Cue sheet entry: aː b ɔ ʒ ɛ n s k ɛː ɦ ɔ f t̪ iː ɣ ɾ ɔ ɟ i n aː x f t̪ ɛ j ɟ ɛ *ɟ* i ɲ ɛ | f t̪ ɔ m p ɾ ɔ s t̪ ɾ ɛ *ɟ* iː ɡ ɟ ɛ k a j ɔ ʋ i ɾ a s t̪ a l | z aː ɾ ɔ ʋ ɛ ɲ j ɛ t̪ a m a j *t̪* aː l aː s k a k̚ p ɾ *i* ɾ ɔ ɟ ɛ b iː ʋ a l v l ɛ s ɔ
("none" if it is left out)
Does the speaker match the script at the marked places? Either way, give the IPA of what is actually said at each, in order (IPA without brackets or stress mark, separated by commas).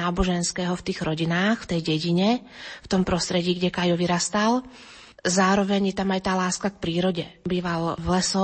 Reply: ɟ, ɟ, t̪, iː